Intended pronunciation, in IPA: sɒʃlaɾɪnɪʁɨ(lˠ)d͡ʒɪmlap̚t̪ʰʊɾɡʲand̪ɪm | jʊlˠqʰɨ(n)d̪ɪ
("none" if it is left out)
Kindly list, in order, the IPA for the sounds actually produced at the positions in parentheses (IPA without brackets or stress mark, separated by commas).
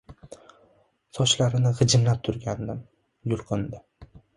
none, n